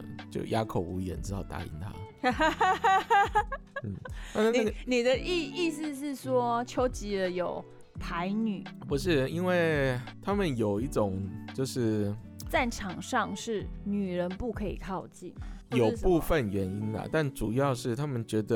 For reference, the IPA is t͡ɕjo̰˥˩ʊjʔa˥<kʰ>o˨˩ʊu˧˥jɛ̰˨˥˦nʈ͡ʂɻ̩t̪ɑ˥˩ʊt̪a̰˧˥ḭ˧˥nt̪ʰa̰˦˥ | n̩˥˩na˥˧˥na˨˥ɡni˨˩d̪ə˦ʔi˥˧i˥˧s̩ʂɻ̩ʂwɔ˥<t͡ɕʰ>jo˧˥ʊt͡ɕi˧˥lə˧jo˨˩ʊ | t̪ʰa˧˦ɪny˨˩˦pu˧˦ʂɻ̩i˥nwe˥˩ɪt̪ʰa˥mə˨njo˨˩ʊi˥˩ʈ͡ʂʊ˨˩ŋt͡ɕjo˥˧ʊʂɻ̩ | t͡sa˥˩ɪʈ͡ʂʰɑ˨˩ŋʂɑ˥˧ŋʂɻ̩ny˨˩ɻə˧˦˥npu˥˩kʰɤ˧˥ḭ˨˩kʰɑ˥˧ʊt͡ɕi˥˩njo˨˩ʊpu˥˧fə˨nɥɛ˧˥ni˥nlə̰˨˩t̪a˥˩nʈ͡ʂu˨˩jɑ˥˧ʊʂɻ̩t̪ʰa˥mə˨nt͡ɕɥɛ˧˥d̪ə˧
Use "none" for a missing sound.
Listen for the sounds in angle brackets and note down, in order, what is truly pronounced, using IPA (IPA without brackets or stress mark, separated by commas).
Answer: kʰ, t͡ɕʰ